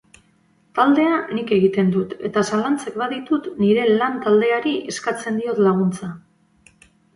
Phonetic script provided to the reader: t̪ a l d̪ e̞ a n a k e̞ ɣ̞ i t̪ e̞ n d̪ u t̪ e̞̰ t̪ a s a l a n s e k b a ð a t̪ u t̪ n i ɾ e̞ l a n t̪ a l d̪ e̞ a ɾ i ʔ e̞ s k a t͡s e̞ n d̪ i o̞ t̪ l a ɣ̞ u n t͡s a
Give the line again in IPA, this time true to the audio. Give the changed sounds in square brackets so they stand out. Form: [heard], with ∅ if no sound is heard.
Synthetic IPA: t̪ a l d̪ e̞ a n [i] k e̞ ɣ̞ i t̪ e̞ n d̪ u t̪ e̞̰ t̪ a s a l a n [t͡s] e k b a ð [i] t̪ u t̪ n i ɾ e̞ l a n t̪ a l d̪ e̞ a ɾ i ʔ e̞ s k a t͡s e̞ n d̪ i o̞ t̪ l a ɣ̞ u n t͡s a